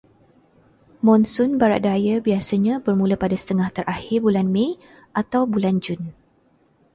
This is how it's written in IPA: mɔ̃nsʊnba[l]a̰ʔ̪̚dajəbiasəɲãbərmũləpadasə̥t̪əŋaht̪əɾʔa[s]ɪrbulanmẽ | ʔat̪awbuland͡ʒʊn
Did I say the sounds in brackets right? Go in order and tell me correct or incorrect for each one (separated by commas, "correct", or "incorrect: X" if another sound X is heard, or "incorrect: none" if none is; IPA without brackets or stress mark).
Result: incorrect: ɾ, incorrect: h